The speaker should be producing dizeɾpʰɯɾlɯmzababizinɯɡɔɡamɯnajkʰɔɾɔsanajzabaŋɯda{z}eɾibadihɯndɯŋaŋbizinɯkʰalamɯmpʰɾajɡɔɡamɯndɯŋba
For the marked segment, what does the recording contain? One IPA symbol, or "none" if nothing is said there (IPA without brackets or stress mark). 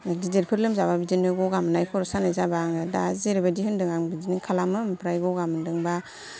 z